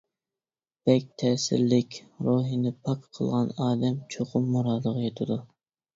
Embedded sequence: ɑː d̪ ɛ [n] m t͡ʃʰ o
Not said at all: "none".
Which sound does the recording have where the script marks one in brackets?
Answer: none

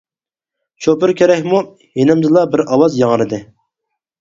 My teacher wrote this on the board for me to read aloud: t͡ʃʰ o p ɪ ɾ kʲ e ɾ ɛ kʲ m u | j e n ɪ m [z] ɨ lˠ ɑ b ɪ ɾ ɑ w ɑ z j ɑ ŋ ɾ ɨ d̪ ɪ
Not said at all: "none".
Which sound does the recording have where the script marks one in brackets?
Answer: z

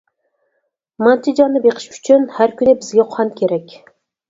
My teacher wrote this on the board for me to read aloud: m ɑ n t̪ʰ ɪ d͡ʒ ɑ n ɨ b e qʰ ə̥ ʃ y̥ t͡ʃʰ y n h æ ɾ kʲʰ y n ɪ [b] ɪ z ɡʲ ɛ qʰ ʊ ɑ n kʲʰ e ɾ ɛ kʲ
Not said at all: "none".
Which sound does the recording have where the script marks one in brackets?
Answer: b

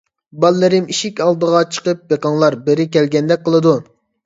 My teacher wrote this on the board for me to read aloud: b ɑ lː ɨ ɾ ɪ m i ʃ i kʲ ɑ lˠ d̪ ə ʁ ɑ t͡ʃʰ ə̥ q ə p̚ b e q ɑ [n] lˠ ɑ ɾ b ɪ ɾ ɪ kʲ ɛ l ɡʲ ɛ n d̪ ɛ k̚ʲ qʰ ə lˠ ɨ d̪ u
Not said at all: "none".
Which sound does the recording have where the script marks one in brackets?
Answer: ŋ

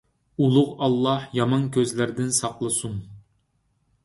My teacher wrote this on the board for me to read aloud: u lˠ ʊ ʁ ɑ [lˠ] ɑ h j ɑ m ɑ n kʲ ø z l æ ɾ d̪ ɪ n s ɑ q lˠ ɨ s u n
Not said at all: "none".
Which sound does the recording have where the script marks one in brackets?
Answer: lˠː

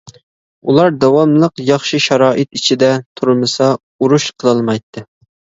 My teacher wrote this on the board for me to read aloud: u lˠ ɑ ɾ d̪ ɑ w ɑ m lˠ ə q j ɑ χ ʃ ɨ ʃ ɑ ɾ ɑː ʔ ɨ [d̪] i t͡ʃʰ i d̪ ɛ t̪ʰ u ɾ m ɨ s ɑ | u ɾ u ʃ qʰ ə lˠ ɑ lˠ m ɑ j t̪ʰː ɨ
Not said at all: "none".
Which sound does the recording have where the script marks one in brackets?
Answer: t̪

